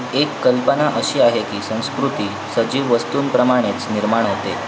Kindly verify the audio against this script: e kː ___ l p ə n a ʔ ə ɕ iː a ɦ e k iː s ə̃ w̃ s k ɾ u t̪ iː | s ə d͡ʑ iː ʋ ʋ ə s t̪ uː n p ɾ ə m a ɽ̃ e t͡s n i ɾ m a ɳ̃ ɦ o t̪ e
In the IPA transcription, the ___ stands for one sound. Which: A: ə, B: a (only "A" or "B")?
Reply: A